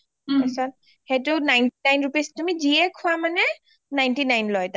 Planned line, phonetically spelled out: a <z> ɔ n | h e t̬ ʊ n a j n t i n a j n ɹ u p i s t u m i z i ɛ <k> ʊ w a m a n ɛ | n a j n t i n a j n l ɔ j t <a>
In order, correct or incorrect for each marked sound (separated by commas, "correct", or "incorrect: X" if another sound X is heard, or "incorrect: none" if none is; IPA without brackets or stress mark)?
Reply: incorrect: s, incorrect: kʰ, correct